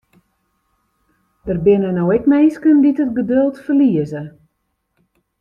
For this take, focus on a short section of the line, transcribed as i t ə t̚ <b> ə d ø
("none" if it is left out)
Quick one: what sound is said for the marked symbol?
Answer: ɡ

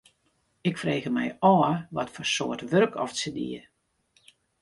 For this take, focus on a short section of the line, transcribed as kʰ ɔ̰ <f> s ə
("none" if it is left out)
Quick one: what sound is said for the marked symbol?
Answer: f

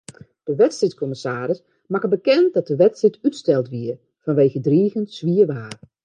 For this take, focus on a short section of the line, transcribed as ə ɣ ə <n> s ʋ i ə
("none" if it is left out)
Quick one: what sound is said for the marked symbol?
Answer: n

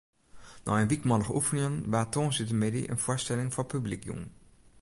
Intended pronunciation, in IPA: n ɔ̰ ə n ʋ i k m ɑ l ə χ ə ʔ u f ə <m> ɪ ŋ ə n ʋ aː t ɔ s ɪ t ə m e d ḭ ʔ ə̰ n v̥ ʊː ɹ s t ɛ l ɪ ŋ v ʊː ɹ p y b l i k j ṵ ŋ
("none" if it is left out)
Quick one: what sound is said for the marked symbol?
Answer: n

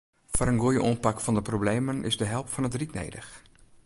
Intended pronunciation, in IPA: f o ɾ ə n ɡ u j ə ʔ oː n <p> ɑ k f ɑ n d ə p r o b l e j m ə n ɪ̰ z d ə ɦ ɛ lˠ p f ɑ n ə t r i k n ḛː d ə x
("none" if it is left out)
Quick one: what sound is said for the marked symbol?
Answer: p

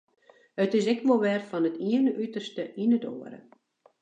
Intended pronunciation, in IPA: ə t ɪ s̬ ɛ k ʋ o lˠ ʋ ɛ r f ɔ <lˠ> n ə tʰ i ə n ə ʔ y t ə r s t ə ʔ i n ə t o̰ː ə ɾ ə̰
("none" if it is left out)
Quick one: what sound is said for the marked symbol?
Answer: none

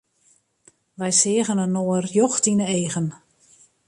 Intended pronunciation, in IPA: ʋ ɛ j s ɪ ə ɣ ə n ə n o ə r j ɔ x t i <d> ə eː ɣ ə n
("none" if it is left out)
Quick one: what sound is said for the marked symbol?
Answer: n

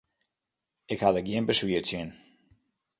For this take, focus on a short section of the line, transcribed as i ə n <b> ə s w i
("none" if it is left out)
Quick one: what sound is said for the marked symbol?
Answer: b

